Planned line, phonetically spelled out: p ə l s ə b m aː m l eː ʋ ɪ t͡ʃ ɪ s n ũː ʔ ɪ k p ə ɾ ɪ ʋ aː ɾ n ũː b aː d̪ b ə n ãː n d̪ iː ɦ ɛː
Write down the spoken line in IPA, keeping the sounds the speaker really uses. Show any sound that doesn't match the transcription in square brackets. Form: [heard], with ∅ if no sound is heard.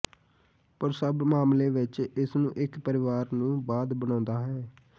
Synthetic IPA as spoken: p ə [ɾ] s ə b m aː m l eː ʋ ɪ t͡ʃ ɪ s n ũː ʔ ɪ k p ə ɾ ɪ ʋ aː ɾ n ũː b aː d̪ b ə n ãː n d̪ [aː] ɦ ɛː

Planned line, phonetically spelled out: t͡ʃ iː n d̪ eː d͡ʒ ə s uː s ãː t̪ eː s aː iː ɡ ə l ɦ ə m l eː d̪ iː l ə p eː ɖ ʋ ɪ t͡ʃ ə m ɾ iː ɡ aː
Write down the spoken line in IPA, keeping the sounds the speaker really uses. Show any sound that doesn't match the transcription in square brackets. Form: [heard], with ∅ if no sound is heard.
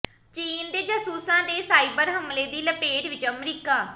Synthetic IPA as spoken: t͡ʃ iː n d̪ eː d͡ʒ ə s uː s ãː [d̪] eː s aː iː [b] ə [ɾ] ɦ ə m l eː d̪ iː l ə p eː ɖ ʋ ɪ t͡ʃ ə m ɾ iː [k] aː

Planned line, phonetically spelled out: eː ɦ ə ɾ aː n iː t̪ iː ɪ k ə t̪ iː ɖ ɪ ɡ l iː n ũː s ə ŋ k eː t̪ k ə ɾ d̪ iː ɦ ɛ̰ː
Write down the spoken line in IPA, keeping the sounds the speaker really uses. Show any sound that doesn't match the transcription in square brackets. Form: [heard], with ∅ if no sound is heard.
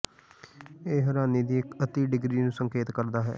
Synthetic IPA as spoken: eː ɦ ə ɾ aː n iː [d̪] iː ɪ k ə t̪ iː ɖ ɪ ɡ [ɾ] iː n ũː s ə ŋ k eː t̪ k ə ɾ d̪ [aː] ɦ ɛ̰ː

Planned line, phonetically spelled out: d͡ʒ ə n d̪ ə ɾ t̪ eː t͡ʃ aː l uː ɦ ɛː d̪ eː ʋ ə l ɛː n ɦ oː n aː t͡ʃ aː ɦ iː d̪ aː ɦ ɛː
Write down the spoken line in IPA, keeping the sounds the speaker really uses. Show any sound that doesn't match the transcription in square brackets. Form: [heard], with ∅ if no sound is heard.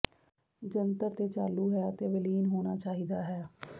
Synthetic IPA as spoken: d͡ʒ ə n [t̪] ə ɾ t̪ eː t͡ʃ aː l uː ɦ ɛː [t̪] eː ʋ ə l [iː] n ɦ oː n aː t͡ʃ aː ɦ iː d̪ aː ɦ ɛː

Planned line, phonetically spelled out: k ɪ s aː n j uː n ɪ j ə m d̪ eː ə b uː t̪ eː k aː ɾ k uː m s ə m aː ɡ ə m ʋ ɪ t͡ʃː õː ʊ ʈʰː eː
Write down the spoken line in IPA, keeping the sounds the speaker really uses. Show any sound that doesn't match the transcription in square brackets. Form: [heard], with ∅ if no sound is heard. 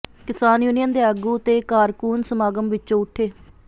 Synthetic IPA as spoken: k ɪ s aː n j uː n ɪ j ə [n] d̪ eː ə [ɡ] uː t̪ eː k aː ɾ k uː [n] s ə m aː ɡ ə m ʋ ɪ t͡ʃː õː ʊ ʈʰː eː

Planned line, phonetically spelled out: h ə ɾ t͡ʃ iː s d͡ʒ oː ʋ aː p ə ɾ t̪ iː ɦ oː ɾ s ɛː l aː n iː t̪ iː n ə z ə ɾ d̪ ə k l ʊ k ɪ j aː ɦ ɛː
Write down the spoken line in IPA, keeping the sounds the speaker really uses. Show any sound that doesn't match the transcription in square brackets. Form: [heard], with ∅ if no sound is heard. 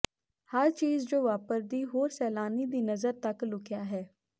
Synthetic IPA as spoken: h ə ɾ t͡ʃ iː [z] d͡ʒ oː ʋ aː p ə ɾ [d̪] iː ɦ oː ɾ s ɛː l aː n iː [d̪] iː n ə z ə ɾ [t̪] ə k l ʊ k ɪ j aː ɦ ɛː

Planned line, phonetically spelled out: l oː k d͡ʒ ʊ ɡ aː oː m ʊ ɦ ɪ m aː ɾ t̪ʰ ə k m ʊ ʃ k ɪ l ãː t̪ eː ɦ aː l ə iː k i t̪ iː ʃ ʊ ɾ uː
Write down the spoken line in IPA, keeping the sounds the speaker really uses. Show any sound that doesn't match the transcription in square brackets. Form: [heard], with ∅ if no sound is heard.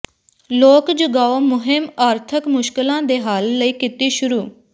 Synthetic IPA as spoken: l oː k d͡ʒ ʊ ɡ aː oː m ʊ ɦ ɪ m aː ɾ t̪ʰ ə k m ʊ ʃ k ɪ l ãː [d̪] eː ɦ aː [lː] ə iː k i t̪ iː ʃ ʊ ɾ uː

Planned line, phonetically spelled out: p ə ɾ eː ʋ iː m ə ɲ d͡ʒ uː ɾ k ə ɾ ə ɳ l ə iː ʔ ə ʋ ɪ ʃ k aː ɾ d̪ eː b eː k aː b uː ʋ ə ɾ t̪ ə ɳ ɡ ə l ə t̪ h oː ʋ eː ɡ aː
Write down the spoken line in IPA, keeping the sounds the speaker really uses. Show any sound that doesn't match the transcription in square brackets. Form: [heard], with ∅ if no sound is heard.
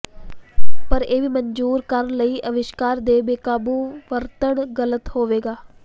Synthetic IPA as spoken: p ə ɾ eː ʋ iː m ə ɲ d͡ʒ uː ɾ k ə ɾ ə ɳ l ə iː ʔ ə ʋ ɪ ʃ k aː ɾ d̪ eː b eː k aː b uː ʋ ə ɾ t̪ ə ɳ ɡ ə l ə t̪ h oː ʋ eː ɡ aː

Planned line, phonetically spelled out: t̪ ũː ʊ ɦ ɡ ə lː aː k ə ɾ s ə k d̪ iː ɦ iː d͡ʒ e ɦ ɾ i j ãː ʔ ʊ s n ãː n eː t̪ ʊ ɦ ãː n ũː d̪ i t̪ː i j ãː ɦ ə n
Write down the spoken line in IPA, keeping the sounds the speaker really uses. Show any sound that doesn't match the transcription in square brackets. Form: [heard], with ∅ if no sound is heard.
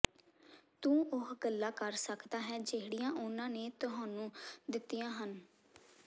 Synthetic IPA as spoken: t̪ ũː ʊ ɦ ɡ ə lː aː k ə ɾ s ə k d̪ [aː] ɦ [ɛː] d͡ʒ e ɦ [ɽ] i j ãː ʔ ʊ [∅] n ãː n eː t̪ ʊ ɦ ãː n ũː d̪ [ɪ] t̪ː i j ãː ɦ ə n

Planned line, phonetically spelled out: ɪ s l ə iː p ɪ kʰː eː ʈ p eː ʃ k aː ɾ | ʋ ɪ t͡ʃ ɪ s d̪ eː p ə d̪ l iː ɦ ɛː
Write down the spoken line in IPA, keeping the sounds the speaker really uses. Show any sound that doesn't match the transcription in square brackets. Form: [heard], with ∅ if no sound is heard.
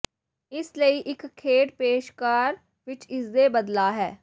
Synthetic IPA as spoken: ɪ s l ə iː [ʔ] ɪ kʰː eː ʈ p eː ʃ k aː ɾ | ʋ ɪ t͡ʃ ɪ s d̪ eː [b] ə d̪ l [aː] ɦ ɛː

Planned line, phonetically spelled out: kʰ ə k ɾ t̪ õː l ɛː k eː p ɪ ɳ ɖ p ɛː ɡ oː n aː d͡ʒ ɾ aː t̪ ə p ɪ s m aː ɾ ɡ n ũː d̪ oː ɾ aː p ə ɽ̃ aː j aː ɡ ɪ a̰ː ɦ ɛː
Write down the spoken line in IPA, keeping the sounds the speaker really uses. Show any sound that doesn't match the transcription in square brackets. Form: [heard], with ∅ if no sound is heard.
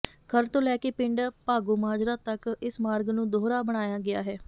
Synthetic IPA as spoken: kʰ ə [∅] ɾ t̪ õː l ɛː k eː p ɪ ɳ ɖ p [aː] ɡ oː [m] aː d͡ʒ ɾ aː t̪ ə [k] ɪ s m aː ɾ ɡ n ũː d̪ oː ɾ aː [b] ə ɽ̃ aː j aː ɡ ɪ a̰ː ɦ ɛː

